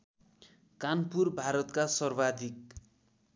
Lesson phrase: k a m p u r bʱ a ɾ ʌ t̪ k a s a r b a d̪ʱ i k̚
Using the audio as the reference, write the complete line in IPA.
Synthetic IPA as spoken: k a n p u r bʱ a ɾ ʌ t̪ k a s ʌ r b a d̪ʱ i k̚